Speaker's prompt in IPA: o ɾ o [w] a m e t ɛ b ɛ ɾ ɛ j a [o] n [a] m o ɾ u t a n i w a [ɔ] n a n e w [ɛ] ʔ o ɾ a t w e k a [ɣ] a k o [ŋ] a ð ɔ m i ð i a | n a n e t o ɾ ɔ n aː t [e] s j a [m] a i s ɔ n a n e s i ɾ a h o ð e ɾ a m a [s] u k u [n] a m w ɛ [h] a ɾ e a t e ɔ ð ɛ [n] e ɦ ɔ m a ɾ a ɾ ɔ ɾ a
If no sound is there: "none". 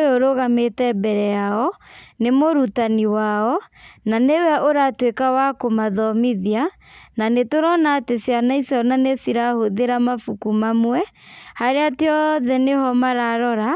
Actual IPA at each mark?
ɣ, ɔ, e, ɔ, ɛ, w, m, e, n, f, m, h, n

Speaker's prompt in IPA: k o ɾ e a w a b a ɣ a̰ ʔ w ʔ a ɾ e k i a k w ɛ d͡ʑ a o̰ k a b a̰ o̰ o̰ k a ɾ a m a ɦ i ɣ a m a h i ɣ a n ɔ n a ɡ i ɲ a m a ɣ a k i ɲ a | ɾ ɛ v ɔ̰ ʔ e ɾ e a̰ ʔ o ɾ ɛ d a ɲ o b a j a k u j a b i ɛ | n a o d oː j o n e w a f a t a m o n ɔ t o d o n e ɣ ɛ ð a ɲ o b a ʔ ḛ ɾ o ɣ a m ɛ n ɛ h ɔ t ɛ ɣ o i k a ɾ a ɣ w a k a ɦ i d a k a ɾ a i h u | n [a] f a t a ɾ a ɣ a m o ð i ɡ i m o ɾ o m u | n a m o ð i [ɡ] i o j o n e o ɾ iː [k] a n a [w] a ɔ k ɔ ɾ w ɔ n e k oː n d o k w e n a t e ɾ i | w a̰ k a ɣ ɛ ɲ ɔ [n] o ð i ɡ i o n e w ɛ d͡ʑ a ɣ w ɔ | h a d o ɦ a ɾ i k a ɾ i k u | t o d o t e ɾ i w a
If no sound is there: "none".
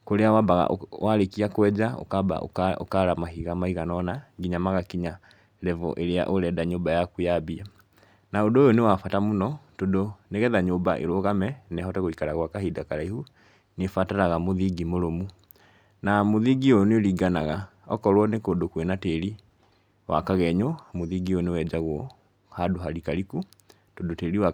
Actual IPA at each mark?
e, ɡ, ɡ, ɣ, m

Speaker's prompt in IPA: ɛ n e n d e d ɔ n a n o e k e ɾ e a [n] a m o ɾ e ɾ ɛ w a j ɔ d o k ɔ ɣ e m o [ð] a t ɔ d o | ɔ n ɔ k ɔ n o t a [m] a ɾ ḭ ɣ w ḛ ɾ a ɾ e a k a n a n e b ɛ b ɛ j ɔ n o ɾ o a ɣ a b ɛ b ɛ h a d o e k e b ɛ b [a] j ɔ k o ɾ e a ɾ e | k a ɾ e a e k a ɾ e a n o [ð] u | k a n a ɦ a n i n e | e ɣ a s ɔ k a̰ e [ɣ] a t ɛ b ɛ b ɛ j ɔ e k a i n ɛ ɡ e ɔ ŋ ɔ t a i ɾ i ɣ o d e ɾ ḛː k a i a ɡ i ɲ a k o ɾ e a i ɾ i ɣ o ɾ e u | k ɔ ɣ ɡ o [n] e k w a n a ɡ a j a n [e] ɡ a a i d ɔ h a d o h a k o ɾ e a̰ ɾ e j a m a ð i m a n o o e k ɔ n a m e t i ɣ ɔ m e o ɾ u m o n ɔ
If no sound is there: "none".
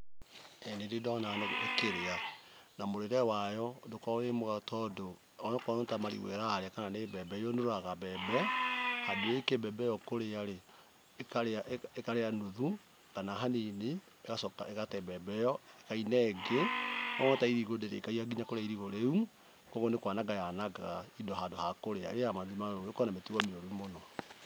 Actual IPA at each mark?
n, ɣ, m, ɛ, ð, ɣ, n, a

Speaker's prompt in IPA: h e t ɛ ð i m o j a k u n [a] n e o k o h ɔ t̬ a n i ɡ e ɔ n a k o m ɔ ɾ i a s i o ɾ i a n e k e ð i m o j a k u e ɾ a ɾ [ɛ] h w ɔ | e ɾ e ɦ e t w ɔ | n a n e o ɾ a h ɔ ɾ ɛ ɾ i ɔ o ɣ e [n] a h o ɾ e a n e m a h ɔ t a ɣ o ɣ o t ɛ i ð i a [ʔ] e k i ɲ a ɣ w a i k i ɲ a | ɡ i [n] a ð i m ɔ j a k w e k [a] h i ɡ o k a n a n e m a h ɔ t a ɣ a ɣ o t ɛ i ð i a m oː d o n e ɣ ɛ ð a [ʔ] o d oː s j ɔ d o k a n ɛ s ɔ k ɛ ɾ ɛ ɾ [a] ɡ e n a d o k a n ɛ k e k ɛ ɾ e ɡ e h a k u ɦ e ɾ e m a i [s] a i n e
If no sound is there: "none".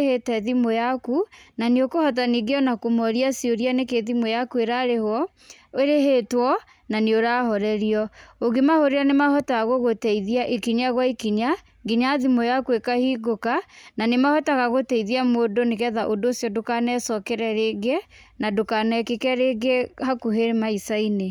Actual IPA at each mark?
a, e, m, ʔ, ɲ, a, ʔ, e, s

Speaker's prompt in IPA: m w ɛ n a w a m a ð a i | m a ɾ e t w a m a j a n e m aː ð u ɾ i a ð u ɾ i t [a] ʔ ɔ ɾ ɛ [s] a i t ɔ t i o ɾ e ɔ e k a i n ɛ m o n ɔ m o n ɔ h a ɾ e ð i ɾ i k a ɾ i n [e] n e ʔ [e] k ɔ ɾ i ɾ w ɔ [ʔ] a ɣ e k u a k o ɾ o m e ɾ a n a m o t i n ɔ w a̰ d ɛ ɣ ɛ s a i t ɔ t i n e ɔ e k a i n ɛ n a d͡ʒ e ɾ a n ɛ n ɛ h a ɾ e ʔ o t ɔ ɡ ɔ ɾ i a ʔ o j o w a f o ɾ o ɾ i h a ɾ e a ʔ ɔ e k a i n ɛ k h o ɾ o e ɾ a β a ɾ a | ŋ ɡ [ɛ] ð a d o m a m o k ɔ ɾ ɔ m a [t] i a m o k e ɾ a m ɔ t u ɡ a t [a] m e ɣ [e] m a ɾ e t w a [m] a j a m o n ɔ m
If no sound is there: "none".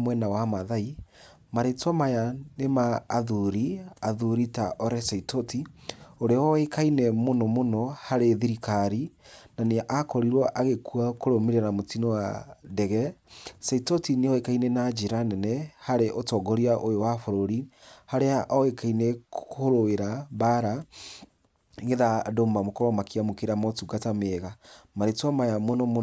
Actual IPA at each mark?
a, s, a, a, ʔ, e, k, a, a, m

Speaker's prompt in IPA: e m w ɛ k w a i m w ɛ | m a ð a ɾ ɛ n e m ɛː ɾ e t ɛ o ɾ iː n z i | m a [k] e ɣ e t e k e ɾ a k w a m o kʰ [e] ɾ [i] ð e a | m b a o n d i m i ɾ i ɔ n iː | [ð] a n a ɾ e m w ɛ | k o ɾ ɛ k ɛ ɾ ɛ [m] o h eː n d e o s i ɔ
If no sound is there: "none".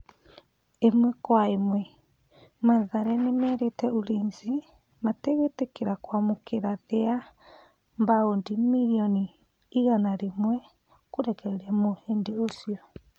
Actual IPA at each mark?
t, e, a, ɣ, m

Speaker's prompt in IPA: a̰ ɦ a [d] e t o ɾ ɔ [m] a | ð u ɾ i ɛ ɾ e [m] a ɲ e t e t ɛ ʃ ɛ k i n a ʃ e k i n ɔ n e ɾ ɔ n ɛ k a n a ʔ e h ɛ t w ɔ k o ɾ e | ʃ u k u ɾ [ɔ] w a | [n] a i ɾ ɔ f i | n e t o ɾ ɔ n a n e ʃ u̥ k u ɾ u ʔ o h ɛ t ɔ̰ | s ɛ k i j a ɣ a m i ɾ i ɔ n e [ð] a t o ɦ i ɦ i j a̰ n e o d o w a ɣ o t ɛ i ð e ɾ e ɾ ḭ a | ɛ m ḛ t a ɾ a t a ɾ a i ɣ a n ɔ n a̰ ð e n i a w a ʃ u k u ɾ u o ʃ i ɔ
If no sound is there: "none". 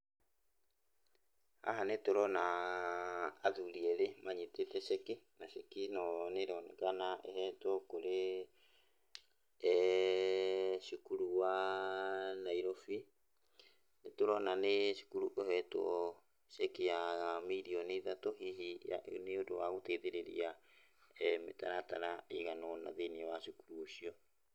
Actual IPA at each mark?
n, n, m, u, n, ð

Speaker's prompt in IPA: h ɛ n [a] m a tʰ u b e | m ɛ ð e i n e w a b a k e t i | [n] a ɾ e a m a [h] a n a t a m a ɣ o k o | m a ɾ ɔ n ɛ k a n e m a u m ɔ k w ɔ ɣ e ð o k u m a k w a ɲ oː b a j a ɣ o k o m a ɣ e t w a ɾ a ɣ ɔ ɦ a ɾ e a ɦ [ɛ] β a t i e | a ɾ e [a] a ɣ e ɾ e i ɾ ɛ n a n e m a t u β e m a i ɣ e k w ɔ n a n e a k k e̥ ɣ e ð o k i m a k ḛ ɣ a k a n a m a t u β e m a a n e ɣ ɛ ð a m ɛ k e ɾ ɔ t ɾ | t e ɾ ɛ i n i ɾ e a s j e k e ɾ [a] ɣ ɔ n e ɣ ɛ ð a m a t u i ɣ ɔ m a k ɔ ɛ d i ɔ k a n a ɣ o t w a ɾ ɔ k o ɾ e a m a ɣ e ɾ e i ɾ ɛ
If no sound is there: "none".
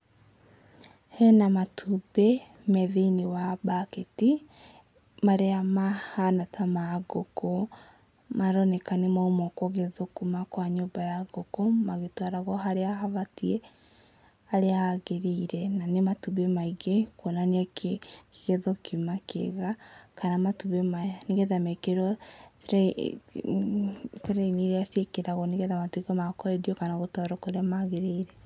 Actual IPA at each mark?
a, m, h, a, a, a

